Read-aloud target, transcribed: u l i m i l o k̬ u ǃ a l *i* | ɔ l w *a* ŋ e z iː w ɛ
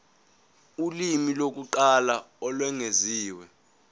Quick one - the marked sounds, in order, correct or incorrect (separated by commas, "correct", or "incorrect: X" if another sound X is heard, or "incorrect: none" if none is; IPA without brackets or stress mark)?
incorrect: a, incorrect: ɛ